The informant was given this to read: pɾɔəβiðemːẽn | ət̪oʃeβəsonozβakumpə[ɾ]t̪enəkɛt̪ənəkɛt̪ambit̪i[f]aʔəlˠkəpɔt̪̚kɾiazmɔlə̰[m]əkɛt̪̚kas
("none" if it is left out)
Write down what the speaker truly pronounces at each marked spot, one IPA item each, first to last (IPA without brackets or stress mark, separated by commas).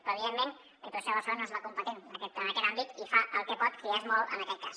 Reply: none, f, n